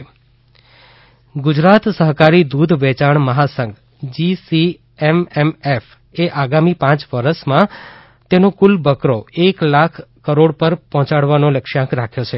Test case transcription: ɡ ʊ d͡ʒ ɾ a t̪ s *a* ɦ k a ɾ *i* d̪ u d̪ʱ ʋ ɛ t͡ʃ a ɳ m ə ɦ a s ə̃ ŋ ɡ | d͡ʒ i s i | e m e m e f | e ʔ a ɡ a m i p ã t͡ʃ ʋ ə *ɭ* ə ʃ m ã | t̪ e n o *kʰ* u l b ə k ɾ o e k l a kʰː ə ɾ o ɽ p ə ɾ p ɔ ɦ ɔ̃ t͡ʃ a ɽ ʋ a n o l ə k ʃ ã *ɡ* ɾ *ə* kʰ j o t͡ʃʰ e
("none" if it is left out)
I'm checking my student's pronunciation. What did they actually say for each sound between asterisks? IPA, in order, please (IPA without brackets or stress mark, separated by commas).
ə, i, ɾ, k, k, a